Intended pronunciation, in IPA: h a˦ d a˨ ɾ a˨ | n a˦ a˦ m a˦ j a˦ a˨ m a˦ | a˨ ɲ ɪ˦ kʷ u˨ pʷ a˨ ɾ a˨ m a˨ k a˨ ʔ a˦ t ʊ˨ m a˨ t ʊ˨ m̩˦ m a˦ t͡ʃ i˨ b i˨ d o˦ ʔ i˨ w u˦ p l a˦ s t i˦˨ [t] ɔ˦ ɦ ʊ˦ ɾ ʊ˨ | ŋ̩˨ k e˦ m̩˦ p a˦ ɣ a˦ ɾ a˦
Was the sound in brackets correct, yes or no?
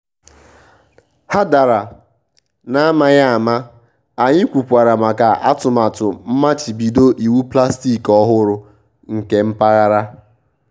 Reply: no